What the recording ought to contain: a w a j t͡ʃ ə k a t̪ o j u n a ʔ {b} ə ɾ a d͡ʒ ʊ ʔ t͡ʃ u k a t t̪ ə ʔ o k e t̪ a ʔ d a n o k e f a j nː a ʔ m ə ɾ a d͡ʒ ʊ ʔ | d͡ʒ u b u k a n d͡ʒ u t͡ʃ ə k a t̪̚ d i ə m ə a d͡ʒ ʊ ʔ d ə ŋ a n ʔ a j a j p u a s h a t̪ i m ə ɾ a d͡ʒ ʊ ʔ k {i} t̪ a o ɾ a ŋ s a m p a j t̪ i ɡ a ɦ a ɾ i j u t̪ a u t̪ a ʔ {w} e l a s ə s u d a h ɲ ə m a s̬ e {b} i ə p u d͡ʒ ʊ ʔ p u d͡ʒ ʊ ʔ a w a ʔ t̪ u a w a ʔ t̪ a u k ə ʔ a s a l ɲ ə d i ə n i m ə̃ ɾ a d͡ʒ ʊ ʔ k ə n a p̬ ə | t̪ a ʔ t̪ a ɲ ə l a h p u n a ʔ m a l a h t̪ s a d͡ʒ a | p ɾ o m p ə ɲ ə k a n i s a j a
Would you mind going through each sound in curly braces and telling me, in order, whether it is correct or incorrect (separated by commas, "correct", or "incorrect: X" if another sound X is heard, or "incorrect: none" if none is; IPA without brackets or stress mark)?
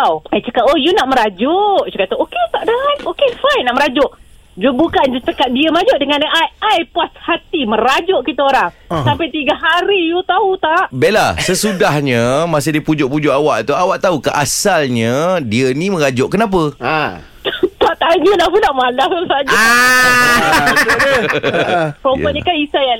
incorrect: m, correct, incorrect: b, incorrect: d